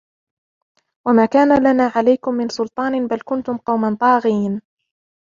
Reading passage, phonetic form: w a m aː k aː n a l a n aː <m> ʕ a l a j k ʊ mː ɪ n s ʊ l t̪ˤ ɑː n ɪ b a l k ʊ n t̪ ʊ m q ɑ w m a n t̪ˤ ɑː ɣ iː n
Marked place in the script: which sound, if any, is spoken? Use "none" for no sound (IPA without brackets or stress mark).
none